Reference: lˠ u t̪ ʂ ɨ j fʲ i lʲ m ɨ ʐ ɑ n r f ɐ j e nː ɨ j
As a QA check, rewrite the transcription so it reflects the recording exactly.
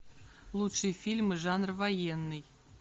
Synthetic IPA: lˠ u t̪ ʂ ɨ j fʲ i lʲ m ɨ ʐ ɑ n r v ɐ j e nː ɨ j